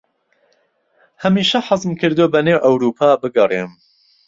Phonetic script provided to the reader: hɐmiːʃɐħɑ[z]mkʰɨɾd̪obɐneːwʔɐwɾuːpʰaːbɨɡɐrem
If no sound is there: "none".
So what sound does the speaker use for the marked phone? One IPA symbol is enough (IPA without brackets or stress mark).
z